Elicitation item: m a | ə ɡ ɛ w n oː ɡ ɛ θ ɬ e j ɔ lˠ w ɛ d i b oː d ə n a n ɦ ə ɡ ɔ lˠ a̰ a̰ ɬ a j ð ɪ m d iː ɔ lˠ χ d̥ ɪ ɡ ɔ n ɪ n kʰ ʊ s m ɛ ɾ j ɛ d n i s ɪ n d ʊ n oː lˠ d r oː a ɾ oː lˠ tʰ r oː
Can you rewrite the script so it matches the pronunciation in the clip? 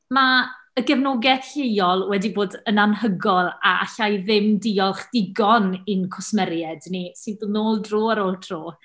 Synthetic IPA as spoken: m a | ə ɡ ɛ v n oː ɡ ɛ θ ɬ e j ɔ lˠ w ɛ d i b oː d ə n a n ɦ ə ɡ ɔ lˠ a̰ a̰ ɬ a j ð ɪ m d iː ɔ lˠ χ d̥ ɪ ɡ ɔ n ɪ n kʰ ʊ s m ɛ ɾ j ɛ d n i s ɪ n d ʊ n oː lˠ d r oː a ɾ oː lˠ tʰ r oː